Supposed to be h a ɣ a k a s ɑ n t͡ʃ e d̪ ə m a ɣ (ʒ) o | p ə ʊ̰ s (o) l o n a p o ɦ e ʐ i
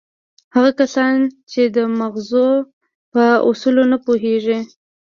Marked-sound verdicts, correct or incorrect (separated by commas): incorrect, incorrect